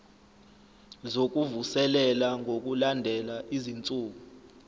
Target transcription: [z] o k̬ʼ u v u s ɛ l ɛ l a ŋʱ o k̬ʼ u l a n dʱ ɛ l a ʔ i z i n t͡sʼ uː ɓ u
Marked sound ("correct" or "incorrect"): correct